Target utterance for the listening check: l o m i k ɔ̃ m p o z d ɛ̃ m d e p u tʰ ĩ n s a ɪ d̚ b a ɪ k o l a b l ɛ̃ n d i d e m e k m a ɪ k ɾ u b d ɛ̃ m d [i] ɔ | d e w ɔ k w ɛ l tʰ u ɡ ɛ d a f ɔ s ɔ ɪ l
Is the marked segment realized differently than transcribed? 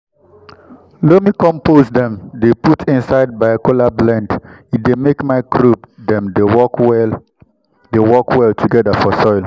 yes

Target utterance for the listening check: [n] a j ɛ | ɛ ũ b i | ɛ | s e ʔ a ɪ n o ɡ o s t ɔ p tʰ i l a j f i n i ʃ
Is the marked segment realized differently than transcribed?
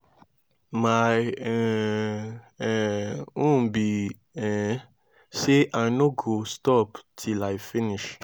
yes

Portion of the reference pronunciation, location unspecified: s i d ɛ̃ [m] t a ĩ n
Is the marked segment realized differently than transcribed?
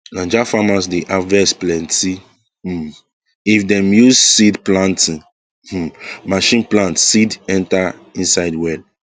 yes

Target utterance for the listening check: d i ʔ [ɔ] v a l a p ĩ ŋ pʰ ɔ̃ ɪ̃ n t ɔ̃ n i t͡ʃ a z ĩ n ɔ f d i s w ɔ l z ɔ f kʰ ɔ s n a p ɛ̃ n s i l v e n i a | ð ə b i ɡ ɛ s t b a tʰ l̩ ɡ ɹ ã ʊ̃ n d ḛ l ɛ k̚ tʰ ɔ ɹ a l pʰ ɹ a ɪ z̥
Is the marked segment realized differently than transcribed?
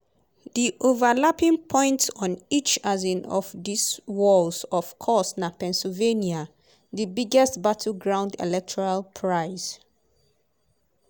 yes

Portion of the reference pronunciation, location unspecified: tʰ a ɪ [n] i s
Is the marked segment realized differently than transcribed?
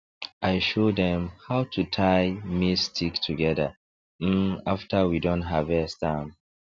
yes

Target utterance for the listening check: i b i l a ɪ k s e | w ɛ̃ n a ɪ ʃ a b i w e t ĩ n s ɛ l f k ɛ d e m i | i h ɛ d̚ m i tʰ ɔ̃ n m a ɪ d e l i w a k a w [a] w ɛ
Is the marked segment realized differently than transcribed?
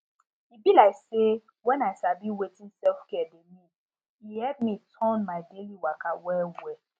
yes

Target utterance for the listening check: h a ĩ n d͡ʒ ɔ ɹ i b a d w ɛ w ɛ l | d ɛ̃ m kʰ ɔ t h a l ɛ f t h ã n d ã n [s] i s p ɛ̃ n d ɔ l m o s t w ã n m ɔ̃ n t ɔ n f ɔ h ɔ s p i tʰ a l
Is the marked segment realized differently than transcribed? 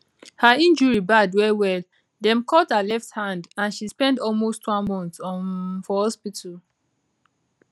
yes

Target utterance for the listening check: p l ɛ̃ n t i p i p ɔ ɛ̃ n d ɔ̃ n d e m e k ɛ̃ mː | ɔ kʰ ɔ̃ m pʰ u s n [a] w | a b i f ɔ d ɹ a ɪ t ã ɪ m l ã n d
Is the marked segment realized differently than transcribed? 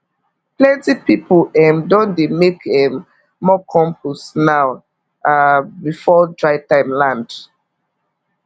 no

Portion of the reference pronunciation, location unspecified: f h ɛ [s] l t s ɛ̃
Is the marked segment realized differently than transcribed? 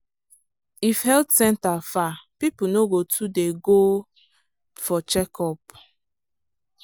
yes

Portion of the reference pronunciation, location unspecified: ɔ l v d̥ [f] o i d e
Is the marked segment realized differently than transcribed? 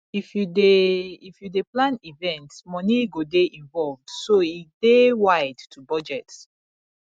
yes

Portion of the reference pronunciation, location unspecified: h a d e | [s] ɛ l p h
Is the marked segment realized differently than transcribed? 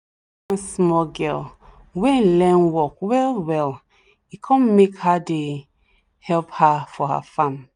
yes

